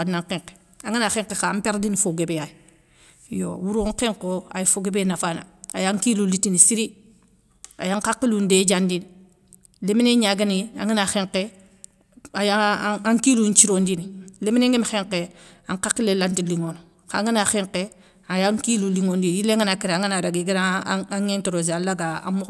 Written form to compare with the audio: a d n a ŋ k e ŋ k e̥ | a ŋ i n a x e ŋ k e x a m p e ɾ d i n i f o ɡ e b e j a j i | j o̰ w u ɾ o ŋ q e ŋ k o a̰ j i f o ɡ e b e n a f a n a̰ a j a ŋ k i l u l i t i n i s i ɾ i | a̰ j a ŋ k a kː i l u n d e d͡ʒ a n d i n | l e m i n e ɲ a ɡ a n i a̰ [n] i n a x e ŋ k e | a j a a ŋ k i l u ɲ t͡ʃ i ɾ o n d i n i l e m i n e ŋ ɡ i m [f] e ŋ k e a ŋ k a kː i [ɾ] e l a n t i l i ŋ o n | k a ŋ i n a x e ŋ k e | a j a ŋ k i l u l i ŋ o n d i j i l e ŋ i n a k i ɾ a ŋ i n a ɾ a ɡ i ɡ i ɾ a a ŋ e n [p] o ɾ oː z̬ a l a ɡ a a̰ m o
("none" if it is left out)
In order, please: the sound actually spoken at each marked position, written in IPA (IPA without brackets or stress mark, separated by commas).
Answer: ŋ, x, l, t